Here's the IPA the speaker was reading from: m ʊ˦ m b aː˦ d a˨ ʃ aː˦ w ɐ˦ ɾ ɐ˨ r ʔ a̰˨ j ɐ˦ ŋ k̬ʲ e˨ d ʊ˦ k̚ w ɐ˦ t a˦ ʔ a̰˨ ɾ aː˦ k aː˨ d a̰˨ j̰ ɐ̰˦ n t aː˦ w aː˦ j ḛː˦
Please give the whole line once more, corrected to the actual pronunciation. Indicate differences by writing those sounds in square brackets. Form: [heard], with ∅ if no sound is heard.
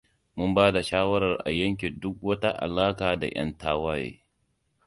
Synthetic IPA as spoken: m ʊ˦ m b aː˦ d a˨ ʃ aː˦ w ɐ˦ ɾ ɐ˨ r ʔ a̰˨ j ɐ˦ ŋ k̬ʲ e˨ d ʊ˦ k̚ w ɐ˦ t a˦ ʔ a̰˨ [l] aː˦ k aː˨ d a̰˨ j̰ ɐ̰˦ n t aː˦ w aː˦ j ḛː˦